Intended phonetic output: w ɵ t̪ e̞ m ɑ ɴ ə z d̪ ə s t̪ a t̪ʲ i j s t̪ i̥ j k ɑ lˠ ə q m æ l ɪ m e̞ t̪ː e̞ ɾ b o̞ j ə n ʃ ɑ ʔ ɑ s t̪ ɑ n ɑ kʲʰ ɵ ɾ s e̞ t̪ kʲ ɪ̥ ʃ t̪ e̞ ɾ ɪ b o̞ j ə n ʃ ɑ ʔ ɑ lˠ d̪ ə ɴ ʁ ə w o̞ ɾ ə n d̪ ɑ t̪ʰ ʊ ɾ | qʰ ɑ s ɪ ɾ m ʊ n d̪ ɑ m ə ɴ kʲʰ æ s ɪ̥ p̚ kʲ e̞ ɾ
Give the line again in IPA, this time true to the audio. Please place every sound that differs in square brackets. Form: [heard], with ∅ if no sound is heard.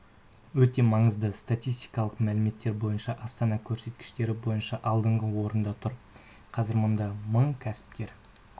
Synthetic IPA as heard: w ɵ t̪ e̞ m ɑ ɴ ə z d̪ ə s t̪ a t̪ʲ i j s t̪ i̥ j k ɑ lˠ ə q m æ l ɪ m e̞ t̪ː e̞ ɾ b o̞ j ə n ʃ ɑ ʔ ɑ s t̪ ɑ n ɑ kʲʰ ɵ ɾ s e̞ t̪ kʲ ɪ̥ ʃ t̪ e̞ ɾ ɪ b o̞ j ə n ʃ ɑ ʔ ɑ lˠ d̪ ə ɴ ʁ ə w o̞ ɾ ə n d̪ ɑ t̪ʰ ʊ ɾ | qʰ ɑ [z] ɪ ɾ m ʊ n d̪ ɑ m ə ɴ kʲʰ æ s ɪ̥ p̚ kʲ e̞ ɾ